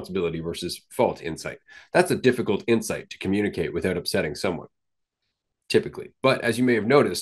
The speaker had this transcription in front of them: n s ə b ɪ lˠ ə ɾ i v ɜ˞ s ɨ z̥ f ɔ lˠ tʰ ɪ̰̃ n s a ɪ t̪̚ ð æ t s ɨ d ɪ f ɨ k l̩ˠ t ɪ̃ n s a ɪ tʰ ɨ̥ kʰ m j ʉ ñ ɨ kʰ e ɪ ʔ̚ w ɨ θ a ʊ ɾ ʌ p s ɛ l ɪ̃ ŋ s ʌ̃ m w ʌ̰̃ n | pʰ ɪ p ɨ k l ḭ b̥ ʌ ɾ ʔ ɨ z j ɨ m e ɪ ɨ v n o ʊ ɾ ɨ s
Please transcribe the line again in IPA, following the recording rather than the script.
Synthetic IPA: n s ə b ɪ lˠ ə ɾ i v ɜ˞ s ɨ z̥ f ɔ lˠ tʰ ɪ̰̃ n s a ɪ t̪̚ ð æ t s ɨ d ɪ f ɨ k l̩ˠ t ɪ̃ n s a ɪ tʰ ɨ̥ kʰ m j ʉ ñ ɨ kʰ e ɪ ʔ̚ w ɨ θ a ʊ ɾ ʌ p s ɛ ɾ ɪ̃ ŋ s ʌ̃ m w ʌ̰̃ n | tʰ ɪ p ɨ k l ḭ b̥ ʌ ɾ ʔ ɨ z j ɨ m e ɪ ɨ v n o ʊ ɾ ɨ s